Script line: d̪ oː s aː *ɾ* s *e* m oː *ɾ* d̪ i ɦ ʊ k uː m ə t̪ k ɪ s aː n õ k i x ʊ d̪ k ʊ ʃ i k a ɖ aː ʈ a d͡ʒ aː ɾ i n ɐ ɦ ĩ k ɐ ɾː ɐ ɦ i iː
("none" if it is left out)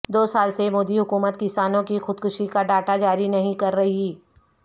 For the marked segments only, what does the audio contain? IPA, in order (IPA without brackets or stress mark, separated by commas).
l, e, none